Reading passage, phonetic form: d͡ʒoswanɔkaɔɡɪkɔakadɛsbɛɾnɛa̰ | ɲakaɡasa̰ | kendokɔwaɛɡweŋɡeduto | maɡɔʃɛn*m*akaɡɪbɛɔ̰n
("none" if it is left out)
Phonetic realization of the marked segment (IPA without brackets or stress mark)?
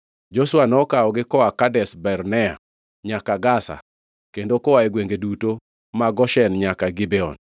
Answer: ɲ